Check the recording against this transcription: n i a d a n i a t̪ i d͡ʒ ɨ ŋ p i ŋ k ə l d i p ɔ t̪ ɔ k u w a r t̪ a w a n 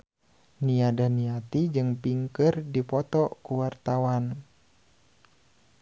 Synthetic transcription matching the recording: n i a d a n i a t̪ i d͡ʒ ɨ ŋ p i ŋ k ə r d i p ɔ t̪ ɔ k u w a r t̪ a w a n

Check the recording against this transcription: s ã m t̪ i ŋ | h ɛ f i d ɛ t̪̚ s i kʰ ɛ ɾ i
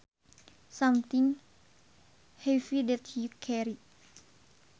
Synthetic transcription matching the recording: s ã m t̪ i ŋ | h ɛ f i d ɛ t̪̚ h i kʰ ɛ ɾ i

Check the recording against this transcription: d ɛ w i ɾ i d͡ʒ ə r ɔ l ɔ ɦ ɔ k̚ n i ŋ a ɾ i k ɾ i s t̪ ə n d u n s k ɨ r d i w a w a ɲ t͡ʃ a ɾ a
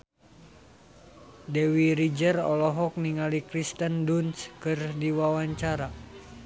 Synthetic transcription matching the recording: d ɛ w i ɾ i d͡ʒ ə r ɔ l ɔ ɦ ɔ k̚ n i ŋ a l i k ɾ i s t̪ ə n d u n s k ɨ r d i w a w a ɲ t͡ʃ a ɾ a

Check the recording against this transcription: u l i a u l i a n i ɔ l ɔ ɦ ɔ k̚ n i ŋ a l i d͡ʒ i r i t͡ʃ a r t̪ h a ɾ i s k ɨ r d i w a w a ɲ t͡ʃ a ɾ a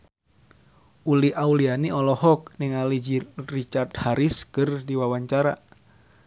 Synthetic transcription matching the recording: u l i a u l i a n i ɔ l ɔ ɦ ɔ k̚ n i ŋ a l i d͡ʒ i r i t͡ʃ a r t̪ h a ɾ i s k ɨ r d i w a w a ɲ t͡ʃ a ɾ a

